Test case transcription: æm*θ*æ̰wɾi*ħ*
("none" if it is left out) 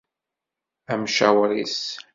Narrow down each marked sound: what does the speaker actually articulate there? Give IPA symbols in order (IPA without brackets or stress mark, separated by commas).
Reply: ʃ, s